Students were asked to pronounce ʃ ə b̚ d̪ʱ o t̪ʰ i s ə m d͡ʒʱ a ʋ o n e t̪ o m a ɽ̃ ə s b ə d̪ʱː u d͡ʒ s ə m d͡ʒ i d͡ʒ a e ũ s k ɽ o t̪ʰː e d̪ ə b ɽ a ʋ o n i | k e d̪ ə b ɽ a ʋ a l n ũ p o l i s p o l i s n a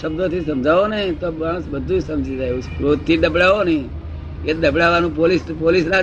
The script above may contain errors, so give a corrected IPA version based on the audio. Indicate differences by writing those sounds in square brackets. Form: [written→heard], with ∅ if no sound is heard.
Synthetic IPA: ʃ ə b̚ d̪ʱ o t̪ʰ i s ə m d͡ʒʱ a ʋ o n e t̪ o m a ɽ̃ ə s b ə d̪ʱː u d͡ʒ s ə m d͡ʒ i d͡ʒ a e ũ s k [ɽ→ɾ] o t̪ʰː [e→i] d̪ ə b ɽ a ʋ o n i | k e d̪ ə b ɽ a ʋ a [l→∅] n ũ p o l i s p o l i s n a